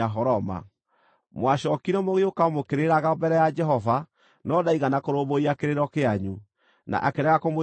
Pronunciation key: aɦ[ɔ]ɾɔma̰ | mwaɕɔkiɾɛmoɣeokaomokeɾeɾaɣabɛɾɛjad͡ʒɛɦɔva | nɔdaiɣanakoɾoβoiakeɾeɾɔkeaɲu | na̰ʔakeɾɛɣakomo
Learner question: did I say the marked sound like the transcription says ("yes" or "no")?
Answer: yes